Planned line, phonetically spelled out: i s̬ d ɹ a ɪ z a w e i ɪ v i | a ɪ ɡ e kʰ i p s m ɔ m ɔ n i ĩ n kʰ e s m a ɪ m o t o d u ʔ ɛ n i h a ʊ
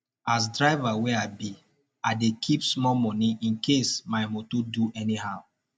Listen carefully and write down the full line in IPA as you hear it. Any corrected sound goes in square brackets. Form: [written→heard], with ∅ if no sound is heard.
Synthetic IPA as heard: [i→a] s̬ d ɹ a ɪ [z→v] a w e [i→a] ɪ [v→b] i | a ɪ [ɡ→d] e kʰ i p s m ɔ m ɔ n i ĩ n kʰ e s m a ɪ m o t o d u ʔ ɛ n i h a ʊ